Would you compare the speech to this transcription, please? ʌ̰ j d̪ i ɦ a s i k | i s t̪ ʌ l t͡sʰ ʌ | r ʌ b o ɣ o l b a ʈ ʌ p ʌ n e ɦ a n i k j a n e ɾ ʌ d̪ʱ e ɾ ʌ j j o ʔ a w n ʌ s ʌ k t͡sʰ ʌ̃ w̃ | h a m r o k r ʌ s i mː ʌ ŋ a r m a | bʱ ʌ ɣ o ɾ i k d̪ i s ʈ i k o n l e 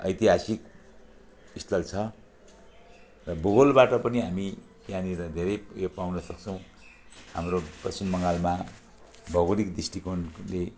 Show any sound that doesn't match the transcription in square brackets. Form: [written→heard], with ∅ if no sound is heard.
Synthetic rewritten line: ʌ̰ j [d̪→t̪] i ɦ a s i k | i s t̪ ʌ l t͡sʰ ʌ | r ʌ b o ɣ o l b a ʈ ʌ p ʌ n [e→i] ɦ a [n→m] i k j a n [e→i] ɾ ʌ d̪ʱ e ɾ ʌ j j o [ʔ→p] a w n ʌ s ʌ k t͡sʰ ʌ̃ w̃ | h a m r o [k→p] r ʌ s i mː ʌ ŋ a [r→l] m a | bʱ ʌ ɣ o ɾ i k d̪ i s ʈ i k o n l e